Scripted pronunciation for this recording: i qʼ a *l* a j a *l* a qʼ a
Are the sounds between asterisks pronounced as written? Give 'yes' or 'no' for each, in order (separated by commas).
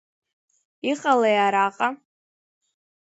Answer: yes, no